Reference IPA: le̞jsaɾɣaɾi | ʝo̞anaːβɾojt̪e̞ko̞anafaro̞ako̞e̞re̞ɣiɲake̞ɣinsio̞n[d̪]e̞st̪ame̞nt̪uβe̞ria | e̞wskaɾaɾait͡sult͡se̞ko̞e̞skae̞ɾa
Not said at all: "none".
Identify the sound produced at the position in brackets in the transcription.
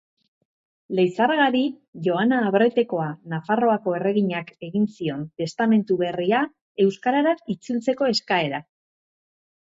t̪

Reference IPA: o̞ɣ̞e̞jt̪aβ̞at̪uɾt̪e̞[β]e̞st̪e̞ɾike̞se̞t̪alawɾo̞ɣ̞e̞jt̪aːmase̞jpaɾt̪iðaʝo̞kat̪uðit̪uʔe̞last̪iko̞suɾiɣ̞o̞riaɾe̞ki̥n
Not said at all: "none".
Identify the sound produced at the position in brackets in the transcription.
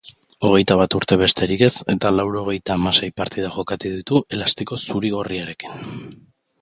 β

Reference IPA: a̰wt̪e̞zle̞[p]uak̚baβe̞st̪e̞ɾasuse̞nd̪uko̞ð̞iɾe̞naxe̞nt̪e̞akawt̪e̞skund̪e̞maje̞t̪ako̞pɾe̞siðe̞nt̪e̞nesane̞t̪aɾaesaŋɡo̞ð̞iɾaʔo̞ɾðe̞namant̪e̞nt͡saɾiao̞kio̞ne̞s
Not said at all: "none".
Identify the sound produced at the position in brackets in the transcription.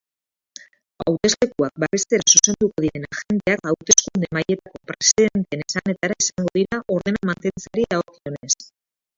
k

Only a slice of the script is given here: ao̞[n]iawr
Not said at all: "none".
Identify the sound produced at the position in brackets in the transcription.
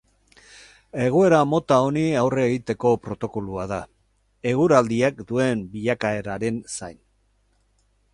n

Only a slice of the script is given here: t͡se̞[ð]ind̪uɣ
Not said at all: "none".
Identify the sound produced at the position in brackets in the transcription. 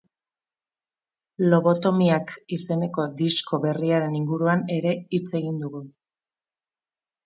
ɣ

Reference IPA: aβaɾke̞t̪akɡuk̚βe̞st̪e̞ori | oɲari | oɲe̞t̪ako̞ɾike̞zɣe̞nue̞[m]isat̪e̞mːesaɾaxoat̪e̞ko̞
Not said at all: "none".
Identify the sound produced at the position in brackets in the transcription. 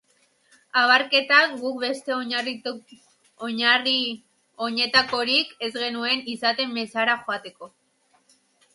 n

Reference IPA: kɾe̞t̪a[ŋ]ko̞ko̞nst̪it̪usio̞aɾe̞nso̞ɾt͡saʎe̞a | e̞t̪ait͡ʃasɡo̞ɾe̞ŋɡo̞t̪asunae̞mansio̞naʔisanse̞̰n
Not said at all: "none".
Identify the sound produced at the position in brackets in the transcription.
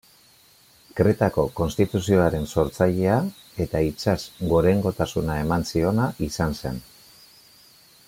none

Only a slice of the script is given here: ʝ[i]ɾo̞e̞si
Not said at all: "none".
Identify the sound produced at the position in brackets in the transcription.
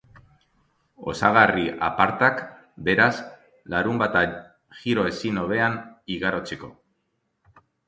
i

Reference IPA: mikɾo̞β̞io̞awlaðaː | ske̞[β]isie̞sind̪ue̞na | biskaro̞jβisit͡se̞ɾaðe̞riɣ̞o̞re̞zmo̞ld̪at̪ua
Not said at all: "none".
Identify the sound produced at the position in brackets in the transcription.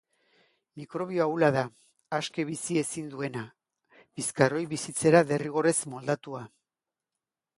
β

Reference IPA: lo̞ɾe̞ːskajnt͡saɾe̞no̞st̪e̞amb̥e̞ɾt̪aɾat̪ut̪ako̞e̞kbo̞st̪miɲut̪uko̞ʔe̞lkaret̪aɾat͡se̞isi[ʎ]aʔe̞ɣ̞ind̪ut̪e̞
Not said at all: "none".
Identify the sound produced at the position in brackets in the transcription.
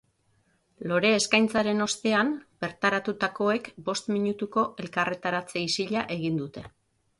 ʎ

